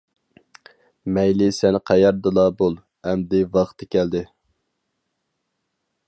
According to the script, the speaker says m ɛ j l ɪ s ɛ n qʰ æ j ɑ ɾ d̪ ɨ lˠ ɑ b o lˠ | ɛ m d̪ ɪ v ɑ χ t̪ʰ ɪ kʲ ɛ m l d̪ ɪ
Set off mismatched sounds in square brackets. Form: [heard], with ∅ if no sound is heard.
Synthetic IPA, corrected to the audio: m ɛ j l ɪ s ɛ n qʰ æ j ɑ ɾ d̪ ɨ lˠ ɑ b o lˠ | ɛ m d̪ ɪ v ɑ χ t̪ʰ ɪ kʲ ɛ [∅] l d̪ ɪ